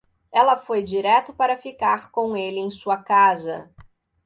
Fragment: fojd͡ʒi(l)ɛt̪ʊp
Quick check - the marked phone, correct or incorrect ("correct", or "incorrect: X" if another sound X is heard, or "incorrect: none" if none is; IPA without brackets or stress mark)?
incorrect: ɾ